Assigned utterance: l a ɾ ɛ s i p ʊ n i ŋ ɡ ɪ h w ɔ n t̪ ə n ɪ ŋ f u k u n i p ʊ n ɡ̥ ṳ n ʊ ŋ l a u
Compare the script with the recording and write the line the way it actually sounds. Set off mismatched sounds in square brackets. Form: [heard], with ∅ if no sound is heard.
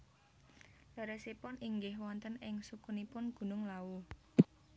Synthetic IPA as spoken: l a ɾ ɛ s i p ʊ n i ŋ ɡ ɪ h w ɔ n t̪ ə n ɪ ŋ [s] u k u n i p ʊ n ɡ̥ ṳ n ʊ ŋ l a u